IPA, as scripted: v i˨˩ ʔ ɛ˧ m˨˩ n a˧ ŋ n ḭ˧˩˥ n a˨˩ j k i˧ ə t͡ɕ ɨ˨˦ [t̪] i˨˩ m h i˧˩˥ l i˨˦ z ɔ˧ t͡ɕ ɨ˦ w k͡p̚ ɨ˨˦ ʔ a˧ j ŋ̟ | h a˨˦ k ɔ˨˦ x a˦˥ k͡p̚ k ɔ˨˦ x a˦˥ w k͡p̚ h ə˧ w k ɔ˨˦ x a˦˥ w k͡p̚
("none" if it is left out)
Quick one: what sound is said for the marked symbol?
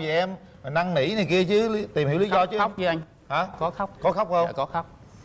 t̪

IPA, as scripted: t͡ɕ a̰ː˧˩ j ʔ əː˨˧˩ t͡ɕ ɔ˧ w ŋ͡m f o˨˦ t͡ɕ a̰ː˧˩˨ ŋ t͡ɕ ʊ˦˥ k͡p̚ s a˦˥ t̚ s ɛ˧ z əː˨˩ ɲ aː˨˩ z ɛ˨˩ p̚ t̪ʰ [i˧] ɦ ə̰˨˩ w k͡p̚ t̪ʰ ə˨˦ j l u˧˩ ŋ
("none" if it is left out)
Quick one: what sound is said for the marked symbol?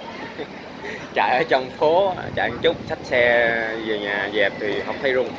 i˨˩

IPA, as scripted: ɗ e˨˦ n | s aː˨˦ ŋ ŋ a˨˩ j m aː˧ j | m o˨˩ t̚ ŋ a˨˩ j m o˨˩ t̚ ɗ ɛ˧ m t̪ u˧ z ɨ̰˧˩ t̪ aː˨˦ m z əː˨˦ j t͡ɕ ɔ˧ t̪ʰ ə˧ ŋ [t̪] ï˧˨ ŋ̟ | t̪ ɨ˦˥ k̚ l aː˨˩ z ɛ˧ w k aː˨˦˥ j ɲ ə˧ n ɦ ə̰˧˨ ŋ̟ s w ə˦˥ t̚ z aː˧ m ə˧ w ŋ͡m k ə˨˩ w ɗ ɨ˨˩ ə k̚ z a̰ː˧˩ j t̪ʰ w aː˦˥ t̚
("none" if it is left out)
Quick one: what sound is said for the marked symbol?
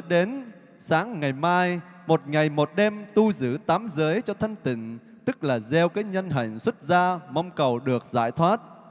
t̪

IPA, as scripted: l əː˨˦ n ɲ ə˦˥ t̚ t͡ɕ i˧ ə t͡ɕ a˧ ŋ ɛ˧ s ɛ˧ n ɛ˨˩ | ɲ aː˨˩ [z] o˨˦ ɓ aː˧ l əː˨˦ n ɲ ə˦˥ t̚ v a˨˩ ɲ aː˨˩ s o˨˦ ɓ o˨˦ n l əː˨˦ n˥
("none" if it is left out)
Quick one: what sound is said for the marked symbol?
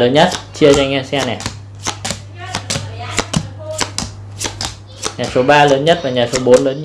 s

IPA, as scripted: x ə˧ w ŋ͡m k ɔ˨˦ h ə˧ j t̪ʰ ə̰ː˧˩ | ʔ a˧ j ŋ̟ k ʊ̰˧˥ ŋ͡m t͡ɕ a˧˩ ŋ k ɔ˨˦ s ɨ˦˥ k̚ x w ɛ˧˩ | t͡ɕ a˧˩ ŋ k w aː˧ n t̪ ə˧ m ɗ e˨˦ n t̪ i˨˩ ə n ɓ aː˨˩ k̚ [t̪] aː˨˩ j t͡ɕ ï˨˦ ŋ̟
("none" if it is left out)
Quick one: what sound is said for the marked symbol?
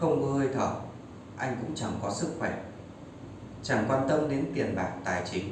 t̪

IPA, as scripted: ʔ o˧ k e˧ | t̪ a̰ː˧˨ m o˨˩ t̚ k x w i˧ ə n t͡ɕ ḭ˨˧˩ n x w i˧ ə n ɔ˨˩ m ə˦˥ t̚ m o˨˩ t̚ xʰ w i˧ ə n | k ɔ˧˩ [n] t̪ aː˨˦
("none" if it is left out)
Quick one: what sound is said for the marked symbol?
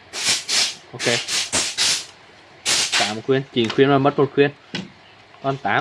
n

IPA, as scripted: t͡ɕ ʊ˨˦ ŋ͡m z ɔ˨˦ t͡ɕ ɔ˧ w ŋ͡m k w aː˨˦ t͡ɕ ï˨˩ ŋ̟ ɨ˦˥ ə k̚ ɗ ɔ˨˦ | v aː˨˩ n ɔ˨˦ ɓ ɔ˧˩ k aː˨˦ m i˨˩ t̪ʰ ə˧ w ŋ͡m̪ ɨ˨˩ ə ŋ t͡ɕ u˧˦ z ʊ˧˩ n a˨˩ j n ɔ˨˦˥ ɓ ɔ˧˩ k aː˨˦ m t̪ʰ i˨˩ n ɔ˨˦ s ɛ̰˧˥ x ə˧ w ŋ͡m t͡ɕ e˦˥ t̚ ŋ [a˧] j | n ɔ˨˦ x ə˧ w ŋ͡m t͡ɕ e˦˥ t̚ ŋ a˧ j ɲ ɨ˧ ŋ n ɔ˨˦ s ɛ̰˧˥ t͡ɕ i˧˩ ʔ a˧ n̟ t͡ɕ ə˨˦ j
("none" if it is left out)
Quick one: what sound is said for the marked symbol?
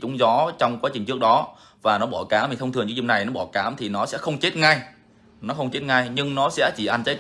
a˧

